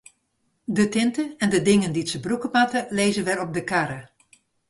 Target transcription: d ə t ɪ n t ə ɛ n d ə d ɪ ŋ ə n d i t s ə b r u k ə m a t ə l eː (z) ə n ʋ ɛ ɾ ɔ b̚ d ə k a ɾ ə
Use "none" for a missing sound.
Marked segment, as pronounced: z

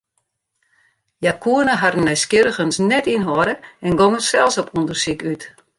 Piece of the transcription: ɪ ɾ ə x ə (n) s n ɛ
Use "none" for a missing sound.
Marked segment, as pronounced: n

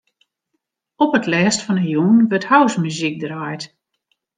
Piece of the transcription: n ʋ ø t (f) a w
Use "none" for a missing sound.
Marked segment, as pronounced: h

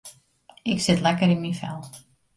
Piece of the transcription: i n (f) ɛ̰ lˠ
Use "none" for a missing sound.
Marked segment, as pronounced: f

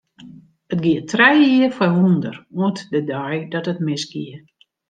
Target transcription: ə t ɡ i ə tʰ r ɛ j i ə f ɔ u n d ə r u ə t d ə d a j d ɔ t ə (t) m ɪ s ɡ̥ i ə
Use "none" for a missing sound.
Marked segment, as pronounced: t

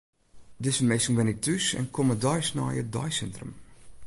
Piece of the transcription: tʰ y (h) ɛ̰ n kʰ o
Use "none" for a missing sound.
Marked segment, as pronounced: s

